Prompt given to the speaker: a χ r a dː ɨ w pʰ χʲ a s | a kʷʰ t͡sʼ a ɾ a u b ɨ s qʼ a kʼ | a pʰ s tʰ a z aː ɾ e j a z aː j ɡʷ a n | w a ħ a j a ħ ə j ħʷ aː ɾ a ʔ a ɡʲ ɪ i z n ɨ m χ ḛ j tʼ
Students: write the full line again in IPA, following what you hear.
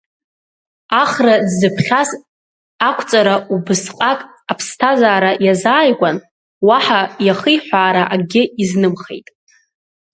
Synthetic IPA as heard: a χ r a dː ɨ pʰ χʲ a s | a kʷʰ t͡sʼ a ɾ a u b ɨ s qʼ a kʼ | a pʰ s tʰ a z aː ɾ a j a z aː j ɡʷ a n | w a ħ a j a χ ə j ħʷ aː ɾ a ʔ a ɡʲ ɪ i z n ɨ m χ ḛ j tʼ